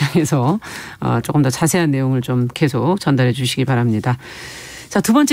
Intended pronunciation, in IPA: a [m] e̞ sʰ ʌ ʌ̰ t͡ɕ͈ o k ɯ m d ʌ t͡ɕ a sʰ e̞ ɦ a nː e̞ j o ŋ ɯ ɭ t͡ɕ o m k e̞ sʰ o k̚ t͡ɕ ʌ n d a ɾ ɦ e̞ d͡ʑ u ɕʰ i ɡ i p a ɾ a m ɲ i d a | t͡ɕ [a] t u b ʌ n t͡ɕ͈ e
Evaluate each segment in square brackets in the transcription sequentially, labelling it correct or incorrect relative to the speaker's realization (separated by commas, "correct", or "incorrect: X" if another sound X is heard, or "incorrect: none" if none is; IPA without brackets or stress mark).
incorrect: ŋ, correct